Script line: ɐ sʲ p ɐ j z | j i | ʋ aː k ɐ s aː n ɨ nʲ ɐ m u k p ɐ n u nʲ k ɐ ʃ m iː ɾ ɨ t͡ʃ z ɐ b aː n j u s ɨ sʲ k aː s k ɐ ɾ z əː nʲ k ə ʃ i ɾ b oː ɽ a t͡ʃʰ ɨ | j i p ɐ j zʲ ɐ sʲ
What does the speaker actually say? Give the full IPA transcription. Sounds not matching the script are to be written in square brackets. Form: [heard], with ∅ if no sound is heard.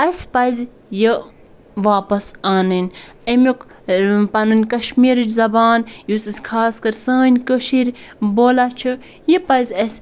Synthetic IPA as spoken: ɐ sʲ p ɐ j z | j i | ʋ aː [p] ɐ s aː n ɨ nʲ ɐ m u k p ɐ n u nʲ k ɐ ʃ m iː ɾ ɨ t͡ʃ z ɐ b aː n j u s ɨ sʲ [kʰ] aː s k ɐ ɾ [s] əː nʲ k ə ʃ i ɾ b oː [l] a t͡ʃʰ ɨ | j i p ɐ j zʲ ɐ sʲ